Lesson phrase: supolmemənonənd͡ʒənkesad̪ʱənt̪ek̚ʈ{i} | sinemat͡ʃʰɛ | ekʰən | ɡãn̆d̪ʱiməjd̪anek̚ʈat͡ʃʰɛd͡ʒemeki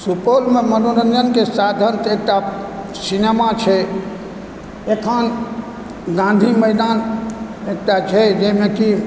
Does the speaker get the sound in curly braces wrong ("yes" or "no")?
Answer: yes